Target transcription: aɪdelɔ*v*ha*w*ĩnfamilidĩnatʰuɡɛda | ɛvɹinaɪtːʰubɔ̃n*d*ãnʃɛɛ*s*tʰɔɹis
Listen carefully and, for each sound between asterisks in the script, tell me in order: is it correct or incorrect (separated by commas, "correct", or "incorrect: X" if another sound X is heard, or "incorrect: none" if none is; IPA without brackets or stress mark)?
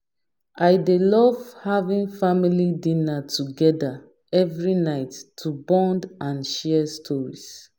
correct, incorrect: v, correct, correct